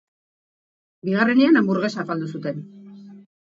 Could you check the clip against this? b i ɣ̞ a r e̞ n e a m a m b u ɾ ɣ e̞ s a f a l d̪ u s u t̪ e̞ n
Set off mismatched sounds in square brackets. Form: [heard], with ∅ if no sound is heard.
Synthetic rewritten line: b i ɣ̞ a r e̞ n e a [n] a m b u ɾ ɣ e̞ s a f a l d̪ u s u t̪ e̞ n